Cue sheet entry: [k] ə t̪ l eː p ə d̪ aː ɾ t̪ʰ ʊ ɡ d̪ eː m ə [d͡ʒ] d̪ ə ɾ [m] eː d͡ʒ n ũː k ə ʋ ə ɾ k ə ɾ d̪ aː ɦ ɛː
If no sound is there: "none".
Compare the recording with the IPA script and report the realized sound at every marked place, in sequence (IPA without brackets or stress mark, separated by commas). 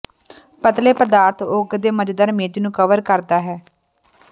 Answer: p, d͡ʒ, m